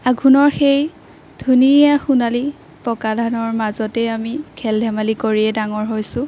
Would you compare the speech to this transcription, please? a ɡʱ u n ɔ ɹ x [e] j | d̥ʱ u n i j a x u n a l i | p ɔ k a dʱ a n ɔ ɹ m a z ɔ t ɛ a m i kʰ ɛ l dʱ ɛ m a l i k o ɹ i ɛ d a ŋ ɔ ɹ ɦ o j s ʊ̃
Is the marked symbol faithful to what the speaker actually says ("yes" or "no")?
yes